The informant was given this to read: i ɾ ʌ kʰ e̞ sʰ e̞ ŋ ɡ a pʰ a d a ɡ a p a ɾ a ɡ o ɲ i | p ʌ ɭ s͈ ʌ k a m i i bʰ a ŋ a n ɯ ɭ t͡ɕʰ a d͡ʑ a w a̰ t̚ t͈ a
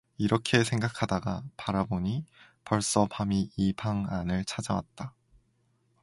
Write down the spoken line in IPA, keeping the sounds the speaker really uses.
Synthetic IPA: i ɾ ʌ kʰ e̞ sʰ e̞ ŋ ɡ a kʰ a d a ɡ a p a ɾ a b o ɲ i | p ʌ ɭ s͈ ʌ p a m i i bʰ a ŋ a n ɯ ɭ t͡ɕʰ a d͡ʑ a w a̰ t̚ t͈ a